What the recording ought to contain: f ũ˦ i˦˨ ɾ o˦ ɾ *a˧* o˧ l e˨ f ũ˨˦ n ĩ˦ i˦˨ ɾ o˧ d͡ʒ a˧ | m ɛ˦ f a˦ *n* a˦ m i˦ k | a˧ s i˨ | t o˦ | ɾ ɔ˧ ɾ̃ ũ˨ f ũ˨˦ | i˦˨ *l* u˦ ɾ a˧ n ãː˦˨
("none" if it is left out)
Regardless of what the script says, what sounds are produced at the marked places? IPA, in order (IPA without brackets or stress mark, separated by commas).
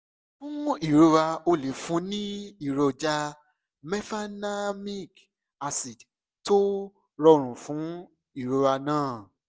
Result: a˧, n, ɾ